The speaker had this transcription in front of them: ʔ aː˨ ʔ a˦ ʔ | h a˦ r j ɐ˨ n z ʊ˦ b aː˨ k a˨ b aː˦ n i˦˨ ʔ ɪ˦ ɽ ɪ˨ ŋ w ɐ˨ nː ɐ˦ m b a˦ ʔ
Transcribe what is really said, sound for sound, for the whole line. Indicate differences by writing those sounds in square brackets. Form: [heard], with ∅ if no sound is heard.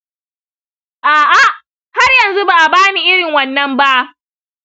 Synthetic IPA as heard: ʔ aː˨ ʔ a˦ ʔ | h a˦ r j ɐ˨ n z [u˦] b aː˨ [ʔ] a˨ b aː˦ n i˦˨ ʔ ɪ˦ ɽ ɪ˨ ŋ w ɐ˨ nː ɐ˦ m b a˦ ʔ